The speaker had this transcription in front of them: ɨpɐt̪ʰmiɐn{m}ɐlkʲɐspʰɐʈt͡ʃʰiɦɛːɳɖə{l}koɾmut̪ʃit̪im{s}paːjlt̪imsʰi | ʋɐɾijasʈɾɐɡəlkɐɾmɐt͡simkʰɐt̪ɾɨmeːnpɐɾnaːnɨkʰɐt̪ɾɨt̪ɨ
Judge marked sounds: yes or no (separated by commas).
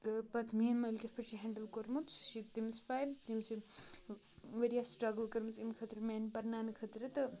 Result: yes, yes, yes